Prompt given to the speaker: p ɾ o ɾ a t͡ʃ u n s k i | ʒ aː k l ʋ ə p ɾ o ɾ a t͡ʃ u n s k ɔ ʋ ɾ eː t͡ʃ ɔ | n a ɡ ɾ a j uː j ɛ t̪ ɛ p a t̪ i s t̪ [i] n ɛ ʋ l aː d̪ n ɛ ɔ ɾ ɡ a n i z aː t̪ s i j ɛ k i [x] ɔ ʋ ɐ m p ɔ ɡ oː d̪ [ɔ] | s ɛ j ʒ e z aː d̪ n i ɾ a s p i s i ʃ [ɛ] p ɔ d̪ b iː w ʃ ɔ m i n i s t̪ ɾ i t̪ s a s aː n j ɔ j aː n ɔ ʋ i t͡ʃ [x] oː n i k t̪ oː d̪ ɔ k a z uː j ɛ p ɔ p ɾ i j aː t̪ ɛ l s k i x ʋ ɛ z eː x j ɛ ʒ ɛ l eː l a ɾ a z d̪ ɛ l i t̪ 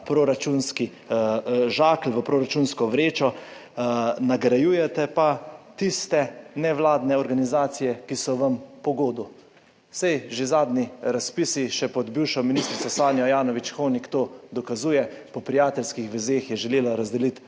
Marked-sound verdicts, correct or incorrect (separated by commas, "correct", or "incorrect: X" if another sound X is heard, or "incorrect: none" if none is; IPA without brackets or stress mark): incorrect: ɛ, incorrect: s, incorrect: u, correct, correct